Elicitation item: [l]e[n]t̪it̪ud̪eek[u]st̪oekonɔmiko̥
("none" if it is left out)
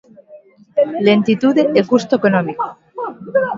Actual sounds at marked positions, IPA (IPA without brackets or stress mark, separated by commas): l, n, u